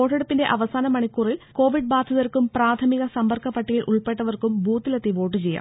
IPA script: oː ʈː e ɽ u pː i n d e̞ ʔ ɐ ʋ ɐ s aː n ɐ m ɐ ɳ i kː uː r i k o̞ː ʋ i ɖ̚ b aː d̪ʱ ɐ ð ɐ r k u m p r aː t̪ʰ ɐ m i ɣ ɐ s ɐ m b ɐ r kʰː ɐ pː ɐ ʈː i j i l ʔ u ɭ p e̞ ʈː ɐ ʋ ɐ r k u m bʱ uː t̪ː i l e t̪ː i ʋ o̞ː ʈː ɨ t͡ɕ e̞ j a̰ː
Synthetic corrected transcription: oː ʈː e ɽ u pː i n d e̞ ʔ ɐ ʋ ɐ s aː n ɐ m ɐ ɳ i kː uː r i k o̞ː ʋ i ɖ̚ b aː d̪ʱ ɐ ð ɐ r k u m p r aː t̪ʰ ɐ m i ɣ ɐ s ɐ m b ɐ r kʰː ɐ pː ɐ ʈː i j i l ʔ u ɭ p e̞ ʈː ɐ ʋ ɐ r k u m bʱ uː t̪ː i l e t̪ː i ʋ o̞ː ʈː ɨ t͡ɕ e̞ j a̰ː

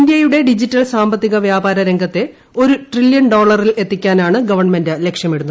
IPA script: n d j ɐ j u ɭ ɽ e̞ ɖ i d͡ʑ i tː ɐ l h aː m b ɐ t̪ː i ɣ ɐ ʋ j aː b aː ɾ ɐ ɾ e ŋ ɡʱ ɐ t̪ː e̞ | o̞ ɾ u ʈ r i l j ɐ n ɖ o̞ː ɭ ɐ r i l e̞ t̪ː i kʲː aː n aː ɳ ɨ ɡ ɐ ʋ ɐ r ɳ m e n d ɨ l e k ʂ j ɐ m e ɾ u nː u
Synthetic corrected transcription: n d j ɐ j u ɽ e̞ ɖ i d͡ʑ i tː ɐ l s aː m b ɐ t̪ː i ɣ ɐ ʋ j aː b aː ɾ ɐ ɾ e ŋ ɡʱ ɐ t̪ː e̞ | o̞ ɾ u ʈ r i l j ɐ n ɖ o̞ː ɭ ɐ r i l e̞ t̪ː i kʲː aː n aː ɳ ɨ ɡ ɐ ʋ ɐ r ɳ m e n d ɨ l e k ʂ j ɐ m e ɽ u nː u

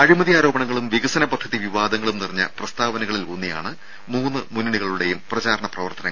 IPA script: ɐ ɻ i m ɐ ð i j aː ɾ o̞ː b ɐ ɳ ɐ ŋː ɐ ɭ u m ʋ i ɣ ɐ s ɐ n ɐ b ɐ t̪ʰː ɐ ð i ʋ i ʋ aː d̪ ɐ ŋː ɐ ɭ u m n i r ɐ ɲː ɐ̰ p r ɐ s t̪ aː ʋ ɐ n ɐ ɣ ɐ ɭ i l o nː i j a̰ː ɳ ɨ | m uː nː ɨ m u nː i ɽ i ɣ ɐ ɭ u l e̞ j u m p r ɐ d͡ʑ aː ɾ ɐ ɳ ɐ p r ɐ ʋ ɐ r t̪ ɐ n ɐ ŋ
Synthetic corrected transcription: ɐ ɻ i m ɐ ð i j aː ɾ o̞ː b ɐ ɳ ɐ ŋː ɐ ɭ u m ʋ i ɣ ɐ s ɐ n ɐ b ɐ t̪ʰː ɐ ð i ʋ i ʋ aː d̪ ɐ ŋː ɐ ɭ u m n i r ɐ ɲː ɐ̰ p r ɐ s t̪ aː ʋ ɐ n ɐ ɣ ɐ ɭ i l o nː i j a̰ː ɳ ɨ | m uː nː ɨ m u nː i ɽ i ɣ ɐ ɭ u ɽ e̞ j u m p r ɐ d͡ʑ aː ɾ ɐ ɳ ɐ p r ɐ ʋ ɐ r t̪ ɐ n ɐ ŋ

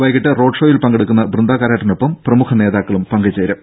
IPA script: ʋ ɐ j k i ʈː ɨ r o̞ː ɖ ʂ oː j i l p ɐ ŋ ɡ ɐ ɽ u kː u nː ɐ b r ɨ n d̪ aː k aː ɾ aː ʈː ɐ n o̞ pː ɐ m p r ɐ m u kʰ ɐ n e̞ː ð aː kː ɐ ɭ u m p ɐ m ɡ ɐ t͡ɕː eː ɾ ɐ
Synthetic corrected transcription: ʋ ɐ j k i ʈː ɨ r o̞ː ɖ ʂ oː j i l p ɐ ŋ ɡ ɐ ɽ u kː u nː ɐ b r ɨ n d̪ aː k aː ɾ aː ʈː ɐ n o̞ pː ɐ m p r ɐ m u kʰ ɐ n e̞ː ð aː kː ɐ ɭ u m p ɐ ŋ ɡ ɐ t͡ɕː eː ɾ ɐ

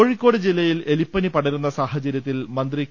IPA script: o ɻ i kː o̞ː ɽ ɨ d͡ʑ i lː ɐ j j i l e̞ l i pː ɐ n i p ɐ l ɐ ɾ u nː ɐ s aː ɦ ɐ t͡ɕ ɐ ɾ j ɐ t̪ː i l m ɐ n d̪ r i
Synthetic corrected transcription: o ɻ i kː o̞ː ɽ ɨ d͡ʑ i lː ɐ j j i l e̞ l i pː ɐ n i p ɐ ɽ ɐ ɾ u nː ɐ s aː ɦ ɐ t͡ɕ ɐ ɾ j ɐ t̪ː i l m ɐ n d̪ r i

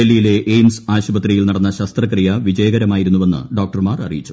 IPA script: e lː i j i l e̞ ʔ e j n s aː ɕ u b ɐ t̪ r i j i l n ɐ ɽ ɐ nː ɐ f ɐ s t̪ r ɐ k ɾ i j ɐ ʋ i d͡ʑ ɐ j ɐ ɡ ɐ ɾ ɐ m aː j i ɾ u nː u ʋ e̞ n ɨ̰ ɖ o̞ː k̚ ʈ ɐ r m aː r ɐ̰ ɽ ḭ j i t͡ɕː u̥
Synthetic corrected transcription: e lː i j i l e̞ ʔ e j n s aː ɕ u b ɐ t̪ r i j i l n ɐ ɽ ɐ nː ɐ ɕ ɐ s t̪ r ɐ k r i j ɐ ʋ i d͡ʑ ɐ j ɐ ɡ ɐ ɾ ɐ m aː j i ɾ u nː u ʋ e̞ nː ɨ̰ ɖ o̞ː k̚ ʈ ɐ r m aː r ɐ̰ r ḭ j i t͡ɕː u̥

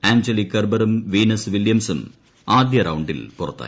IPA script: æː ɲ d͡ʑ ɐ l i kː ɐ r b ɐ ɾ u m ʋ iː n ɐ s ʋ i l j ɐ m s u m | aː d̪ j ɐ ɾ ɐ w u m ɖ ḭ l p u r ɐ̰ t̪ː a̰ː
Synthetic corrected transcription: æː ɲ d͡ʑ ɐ l i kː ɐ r b ɐ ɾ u m ʋ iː n ɐ s ʋ i l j ɐ m s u m | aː d̪ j ɐ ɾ ɐ w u ɳ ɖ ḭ l p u r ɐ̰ t̪ː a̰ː

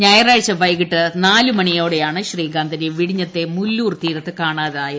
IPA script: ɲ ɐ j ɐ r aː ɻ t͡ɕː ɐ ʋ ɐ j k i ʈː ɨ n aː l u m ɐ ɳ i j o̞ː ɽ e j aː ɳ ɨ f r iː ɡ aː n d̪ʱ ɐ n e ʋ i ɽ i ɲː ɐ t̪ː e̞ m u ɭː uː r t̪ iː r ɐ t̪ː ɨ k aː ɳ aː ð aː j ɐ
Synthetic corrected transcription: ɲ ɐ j ɐ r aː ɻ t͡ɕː ɐ ʋ ɐ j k i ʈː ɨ n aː l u m ɐ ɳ i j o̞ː ɽ e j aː ɳ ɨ ɕ r iː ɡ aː n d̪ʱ ɐ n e ʋ i ɽ i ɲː ɐ t̪ː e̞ m u lː uː r t̪ iː ɾ ɐ t̪ː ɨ k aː ɳ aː ð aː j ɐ

